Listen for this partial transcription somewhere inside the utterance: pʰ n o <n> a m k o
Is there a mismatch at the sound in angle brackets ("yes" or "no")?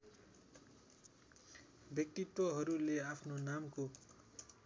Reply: no